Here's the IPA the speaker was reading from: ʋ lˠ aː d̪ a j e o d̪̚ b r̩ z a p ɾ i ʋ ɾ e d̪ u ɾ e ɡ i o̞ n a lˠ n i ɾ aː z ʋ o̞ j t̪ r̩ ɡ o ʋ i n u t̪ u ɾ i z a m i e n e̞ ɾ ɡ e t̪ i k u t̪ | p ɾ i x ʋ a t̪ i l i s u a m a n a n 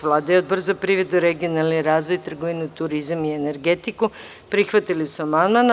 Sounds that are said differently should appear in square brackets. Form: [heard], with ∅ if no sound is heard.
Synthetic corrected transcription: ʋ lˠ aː d̪ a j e o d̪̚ b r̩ z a p ɾ i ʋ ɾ e d̪ u ɾ e ɡ i o̞ n a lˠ n i ɾ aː z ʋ o̞ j t̪ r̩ ɡ o ʋ i n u t̪ u ɾ i z a m i e n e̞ ɾ ɡ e t̪ i k u [∅] | p ɾ i x ʋ a t̪ i l i s u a m a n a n